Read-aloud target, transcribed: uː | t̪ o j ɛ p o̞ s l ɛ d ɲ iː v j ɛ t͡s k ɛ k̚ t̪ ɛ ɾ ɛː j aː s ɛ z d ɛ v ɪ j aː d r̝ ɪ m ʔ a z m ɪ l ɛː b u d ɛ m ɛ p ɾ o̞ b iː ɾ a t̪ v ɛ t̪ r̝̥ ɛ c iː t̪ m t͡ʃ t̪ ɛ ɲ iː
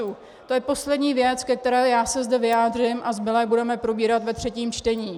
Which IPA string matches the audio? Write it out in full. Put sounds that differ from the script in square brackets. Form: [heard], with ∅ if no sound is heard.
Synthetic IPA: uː | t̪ o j ɛ p o̞ s l ɛ d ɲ iː v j ɛ t͡s k ɛ k̚ t̪ ɛ ɾ ɛː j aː s ɛ z d ɛ v ɪ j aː d r̝ ɪ m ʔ a z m ɪ l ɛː b u d ɛ m ɛ p ɾ o̞ b iː ɾ a t̪ v ɛ t̪ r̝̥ ɛ c iː [∅] m t͡ʃ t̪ ɛ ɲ iː